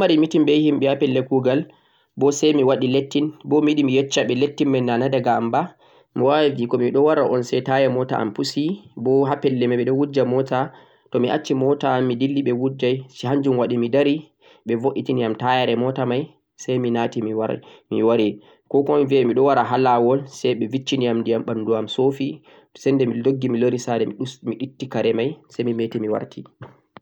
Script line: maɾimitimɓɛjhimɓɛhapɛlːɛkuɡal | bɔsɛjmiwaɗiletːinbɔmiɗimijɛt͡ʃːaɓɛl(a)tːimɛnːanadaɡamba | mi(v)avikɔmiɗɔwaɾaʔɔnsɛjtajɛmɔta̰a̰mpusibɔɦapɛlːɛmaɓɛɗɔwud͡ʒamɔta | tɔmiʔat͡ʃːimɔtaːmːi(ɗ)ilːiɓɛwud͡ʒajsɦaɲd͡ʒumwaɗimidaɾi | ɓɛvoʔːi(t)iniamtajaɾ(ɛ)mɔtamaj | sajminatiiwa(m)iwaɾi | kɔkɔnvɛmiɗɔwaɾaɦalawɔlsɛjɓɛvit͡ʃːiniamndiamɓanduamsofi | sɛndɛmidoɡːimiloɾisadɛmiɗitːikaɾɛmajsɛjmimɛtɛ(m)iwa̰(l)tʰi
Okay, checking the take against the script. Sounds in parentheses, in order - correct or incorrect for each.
incorrect, incorrect, incorrect, correct, correct, correct, correct, incorrect

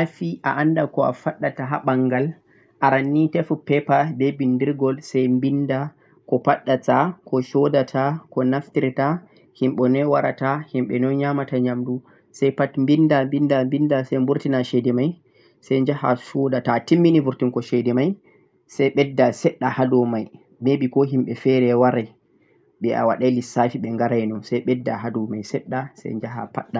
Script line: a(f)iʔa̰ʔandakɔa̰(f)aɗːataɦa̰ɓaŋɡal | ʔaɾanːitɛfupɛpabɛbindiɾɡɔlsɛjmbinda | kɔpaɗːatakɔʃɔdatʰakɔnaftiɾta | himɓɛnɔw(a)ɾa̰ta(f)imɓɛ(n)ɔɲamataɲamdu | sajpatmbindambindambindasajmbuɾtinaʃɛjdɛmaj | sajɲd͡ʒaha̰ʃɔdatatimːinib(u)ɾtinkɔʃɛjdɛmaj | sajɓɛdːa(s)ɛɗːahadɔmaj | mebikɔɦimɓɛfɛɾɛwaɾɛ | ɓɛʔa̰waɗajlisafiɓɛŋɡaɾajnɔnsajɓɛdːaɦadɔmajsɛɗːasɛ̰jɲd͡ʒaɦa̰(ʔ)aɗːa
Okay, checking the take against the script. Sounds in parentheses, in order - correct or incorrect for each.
correct, correct, correct, incorrect, correct, correct, correct, incorrect

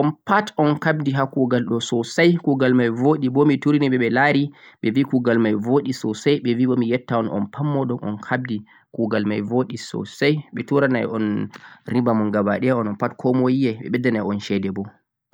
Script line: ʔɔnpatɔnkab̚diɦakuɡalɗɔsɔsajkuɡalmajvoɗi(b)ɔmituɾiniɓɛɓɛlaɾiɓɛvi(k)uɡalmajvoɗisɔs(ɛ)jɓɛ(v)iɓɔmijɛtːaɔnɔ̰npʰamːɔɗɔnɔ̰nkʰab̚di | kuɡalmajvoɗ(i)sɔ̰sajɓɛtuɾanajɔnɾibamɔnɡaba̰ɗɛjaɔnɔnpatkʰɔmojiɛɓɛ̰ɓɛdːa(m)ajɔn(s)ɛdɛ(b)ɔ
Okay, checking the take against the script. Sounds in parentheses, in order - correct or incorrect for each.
correct, correct, incorrect, correct, correct, incorrect, incorrect, correct

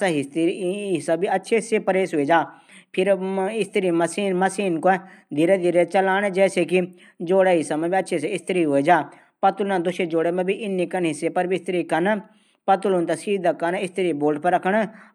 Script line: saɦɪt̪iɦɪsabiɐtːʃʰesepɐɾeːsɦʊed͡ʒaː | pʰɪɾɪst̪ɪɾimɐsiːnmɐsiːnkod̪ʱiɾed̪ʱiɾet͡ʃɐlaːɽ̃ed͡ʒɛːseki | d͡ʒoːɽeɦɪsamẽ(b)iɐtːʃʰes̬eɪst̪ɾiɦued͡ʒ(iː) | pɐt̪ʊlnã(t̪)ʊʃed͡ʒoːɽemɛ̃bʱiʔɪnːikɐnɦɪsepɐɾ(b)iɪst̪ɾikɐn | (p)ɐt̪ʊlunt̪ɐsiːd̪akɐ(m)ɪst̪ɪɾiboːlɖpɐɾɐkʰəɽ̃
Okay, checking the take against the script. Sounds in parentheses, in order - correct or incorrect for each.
correct, incorrect, incorrect, correct, correct, incorrect

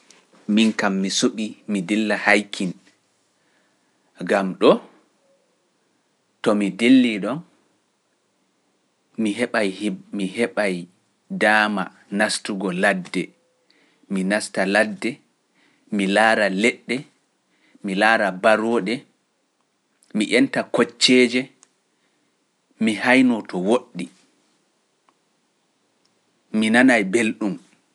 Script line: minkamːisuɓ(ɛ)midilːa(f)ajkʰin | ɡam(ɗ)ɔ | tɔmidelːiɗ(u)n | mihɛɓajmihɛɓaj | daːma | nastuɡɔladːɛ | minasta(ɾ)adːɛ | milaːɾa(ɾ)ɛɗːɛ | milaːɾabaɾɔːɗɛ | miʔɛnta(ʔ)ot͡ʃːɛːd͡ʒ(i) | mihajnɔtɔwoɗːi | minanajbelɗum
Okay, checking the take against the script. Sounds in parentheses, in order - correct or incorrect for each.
incorrect, incorrect, correct, incorrect, incorrect, incorrect, incorrect, incorrect

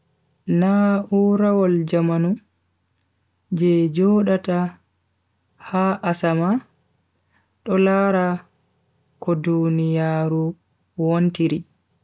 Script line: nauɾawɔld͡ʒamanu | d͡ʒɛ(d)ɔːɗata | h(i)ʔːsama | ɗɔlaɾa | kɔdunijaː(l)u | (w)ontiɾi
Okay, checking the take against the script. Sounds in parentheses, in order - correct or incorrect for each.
incorrect, incorrect, incorrect, correct

